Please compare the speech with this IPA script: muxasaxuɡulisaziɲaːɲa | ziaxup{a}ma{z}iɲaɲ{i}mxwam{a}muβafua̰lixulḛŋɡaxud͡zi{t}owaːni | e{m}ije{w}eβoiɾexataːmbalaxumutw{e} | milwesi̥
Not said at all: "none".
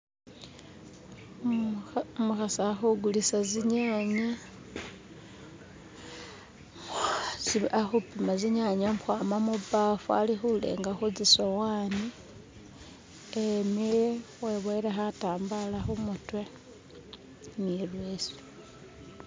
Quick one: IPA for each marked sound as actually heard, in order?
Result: i, z, a, a, s, m, w, e

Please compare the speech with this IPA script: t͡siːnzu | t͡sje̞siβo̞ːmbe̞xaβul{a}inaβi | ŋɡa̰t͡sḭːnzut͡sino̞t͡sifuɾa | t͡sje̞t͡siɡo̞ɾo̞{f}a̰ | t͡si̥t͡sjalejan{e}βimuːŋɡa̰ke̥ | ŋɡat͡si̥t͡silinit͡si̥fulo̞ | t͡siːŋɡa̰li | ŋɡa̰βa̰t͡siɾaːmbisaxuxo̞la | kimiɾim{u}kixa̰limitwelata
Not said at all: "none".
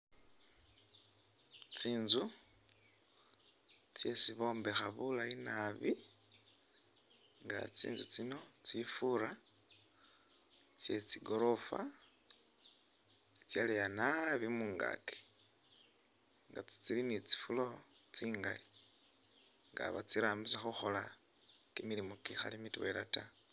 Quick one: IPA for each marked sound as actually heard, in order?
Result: a, f, a, o

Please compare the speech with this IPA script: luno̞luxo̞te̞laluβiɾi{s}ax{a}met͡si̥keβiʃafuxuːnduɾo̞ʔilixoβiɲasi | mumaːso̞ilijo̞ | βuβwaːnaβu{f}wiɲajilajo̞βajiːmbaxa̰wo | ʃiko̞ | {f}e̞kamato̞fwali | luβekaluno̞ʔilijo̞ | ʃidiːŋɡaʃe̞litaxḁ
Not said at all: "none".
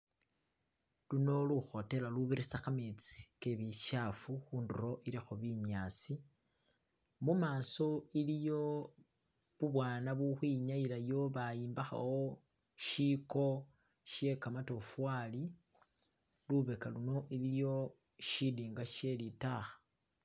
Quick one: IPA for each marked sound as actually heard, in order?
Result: s, a, x, ʃ

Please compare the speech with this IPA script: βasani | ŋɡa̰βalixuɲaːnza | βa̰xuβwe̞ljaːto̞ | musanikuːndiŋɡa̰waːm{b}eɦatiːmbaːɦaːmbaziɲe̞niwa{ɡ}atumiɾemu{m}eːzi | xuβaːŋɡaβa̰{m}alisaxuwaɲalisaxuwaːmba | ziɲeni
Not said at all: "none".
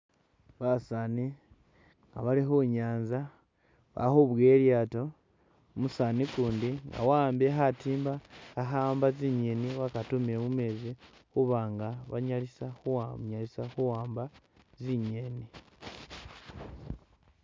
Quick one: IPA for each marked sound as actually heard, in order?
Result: b, k, m, ɲ

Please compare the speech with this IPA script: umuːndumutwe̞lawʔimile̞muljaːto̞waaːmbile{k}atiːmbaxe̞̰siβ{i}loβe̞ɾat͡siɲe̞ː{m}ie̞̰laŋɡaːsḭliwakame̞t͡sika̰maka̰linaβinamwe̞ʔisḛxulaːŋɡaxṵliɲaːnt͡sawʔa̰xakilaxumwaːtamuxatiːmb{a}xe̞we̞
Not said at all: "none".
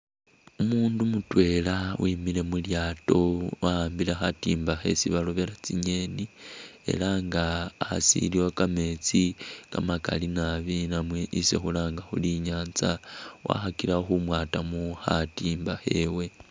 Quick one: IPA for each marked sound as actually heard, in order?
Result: x, a, n, a

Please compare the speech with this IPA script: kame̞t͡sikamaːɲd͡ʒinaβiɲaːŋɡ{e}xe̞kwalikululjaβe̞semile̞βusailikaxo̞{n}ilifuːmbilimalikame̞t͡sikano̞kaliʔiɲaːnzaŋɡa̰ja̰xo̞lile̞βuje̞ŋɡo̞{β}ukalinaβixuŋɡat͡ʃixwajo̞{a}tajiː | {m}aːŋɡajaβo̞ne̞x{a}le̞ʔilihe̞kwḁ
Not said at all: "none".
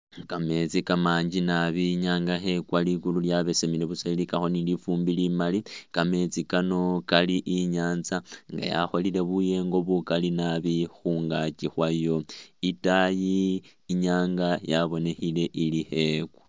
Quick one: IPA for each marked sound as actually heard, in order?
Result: a, n, β, i, ɲ, i

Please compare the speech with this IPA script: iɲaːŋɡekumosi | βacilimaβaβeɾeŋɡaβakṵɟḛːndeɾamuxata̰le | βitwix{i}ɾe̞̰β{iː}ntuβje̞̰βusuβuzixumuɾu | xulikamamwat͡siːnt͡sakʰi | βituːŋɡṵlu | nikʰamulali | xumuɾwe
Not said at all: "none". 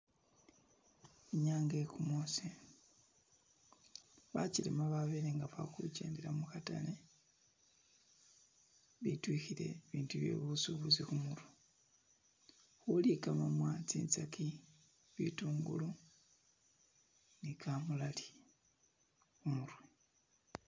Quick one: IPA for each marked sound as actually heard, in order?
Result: i, iː

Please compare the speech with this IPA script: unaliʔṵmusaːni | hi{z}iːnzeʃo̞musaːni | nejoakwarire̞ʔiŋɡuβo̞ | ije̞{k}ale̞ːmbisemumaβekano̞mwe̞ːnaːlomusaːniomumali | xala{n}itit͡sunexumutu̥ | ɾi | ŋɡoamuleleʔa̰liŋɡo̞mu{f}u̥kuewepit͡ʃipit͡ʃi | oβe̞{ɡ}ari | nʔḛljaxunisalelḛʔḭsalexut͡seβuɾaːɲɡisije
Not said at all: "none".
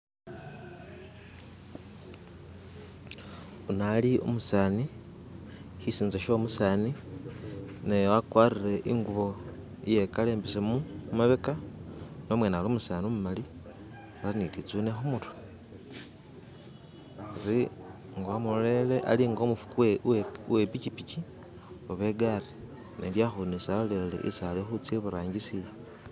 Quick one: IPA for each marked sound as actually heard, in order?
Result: s, k, n, f, ɡ

